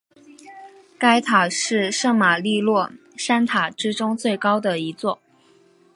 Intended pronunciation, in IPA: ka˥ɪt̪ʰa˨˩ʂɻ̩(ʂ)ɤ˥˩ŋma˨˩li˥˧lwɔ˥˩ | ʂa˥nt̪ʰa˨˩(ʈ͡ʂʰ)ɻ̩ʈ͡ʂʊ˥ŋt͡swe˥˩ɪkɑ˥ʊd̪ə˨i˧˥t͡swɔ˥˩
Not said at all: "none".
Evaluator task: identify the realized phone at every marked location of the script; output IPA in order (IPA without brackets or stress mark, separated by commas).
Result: ʂ, ʈ͡ʂ